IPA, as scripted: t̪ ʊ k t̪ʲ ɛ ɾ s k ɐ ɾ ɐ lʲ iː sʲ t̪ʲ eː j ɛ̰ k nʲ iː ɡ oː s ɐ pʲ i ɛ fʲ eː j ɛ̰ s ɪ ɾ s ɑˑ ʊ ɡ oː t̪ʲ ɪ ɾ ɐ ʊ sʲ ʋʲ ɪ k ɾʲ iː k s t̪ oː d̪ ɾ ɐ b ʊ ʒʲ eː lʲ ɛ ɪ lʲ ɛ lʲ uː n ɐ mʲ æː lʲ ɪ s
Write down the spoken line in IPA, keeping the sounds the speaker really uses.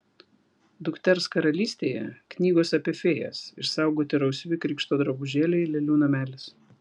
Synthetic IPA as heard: d̪ ʊ k t̪ʲ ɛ ɾ s k ɐ ɾ ɐ lʲ iː sʲ t̪ʲ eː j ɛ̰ k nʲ iː ɡ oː s ɐ pʲ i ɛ fʲ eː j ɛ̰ s ɪ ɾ s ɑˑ ʊ ɡ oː t̪ʲ ɪ ɾ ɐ ʊ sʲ ʋʲ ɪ k ɾʲ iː k ʃ t̪ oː d̪ ɾ ɐ b ʊ ʒʲ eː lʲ ɛ ɪ lʲ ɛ lʲ uː n ɐ mʲ æː lʲ ɪ s